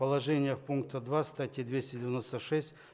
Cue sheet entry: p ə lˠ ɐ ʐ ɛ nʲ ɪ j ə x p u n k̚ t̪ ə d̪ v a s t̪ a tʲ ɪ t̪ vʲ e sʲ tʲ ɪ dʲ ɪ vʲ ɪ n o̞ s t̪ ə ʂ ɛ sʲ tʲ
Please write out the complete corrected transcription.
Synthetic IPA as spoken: p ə lˠ ɐ ʐ ɛ nʲ ɪ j ə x p u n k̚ t̪ ə d̪ v a s t̪ a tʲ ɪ d̪ vʲ e sʲ tʲ ɪ dʲ ɪ vʲ ɪ n o̞ s t̪ ə ʂ ɛ sʲ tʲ